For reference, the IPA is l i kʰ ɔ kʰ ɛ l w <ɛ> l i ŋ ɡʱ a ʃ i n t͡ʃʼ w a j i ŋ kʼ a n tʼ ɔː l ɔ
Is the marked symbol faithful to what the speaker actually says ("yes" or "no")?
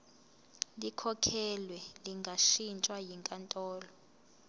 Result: yes